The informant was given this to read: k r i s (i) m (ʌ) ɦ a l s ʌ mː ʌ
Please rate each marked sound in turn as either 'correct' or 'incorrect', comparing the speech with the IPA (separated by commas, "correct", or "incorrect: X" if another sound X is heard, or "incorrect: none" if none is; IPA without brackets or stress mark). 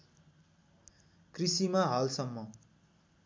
correct, incorrect: a